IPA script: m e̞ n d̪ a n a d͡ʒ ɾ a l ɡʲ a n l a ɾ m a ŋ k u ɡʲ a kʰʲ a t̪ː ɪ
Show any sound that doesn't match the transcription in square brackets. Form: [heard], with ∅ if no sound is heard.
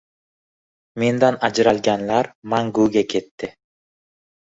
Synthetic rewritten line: m e̞ n d̪ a n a d͡ʒ ɾ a l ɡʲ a n l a ɾ m a ŋ [ɡ] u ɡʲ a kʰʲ [e] t̪ː ɪ